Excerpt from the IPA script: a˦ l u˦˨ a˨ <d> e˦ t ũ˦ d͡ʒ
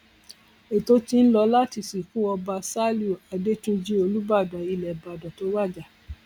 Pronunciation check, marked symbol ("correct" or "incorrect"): correct